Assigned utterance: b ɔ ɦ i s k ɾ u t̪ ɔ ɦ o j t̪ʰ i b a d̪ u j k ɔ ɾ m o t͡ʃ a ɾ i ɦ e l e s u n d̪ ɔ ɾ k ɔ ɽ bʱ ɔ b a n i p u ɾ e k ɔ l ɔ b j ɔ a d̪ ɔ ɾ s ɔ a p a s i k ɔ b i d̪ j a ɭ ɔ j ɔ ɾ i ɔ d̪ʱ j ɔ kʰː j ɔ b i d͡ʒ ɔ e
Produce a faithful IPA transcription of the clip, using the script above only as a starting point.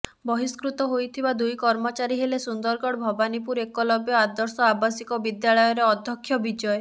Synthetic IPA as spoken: b ɔ ɦ i s k ɾ u t̪ ɔ ɦ o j t̪ʰ i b a d̪ u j k ɔ ɾ m ɔ t͡ʃ a ɾ i ɦ e l e s u n d̪ ɔ ɾ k ɔ ɽ bʱ ɔ b a n i p u ɾ e k ɔ l ɔ b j ɔ a d̪ ɔ ɾ s ɔ a b a s i k ɔ b i d̪ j a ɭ ɔ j ɔ ɾ e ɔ d̪ʱ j ɔ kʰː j ɔ b i d͡ʒ ɔ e